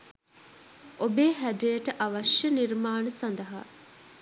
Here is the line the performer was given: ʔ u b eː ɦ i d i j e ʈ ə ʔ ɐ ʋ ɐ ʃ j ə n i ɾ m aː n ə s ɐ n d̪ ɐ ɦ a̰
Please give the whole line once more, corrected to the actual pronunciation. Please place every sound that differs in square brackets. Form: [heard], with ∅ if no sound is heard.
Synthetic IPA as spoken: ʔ [o] b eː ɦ [æ] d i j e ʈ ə ʔ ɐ ʋ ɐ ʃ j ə n i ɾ m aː n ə s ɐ n d̪ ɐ ɦ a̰